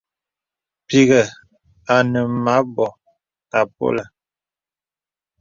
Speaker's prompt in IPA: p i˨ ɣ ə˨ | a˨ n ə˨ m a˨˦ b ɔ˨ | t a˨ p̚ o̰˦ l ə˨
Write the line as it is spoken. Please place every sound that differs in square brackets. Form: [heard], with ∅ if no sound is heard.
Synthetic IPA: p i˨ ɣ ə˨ | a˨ n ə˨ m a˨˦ b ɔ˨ | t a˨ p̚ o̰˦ l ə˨